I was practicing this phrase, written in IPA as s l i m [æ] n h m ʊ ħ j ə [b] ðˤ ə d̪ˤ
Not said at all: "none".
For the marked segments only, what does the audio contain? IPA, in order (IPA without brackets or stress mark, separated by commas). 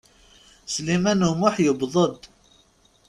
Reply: æ, b